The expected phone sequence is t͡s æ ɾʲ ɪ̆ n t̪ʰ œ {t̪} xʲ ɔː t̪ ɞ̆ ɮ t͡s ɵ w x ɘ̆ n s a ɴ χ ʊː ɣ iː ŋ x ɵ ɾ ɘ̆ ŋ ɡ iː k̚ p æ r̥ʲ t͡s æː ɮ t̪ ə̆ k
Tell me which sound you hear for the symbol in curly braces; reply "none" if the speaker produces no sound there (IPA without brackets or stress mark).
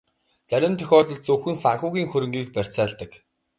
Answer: none